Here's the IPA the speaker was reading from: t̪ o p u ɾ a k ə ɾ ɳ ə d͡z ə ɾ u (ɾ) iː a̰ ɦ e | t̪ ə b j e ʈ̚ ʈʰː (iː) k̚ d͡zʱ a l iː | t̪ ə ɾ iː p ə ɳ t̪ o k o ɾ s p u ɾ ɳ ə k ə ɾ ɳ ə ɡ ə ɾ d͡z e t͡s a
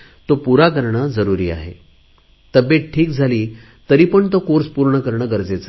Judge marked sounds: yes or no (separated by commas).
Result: yes, yes